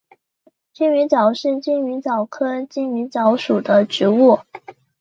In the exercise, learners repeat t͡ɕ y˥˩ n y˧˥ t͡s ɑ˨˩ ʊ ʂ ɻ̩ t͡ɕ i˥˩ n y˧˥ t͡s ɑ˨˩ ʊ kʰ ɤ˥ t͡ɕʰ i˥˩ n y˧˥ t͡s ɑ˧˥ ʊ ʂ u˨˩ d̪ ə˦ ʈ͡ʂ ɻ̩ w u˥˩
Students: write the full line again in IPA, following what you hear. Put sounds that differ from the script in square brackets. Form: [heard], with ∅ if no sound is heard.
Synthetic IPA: t͡ɕ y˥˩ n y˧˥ t͡s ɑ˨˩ ʊ ʂ ɻ̩ t͡ɕ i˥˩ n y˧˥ t͡s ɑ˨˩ ʊ kʰ ɤ˥ [t͡ɕ] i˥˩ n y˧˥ t͡s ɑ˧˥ ʊ ʂ u˨˩ d̪ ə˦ ʈ͡ʂ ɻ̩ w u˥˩